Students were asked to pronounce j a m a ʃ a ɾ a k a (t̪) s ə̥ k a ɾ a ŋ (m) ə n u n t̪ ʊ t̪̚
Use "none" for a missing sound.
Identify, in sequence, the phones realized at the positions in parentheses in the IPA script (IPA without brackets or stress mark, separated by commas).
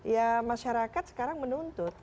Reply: t̪, m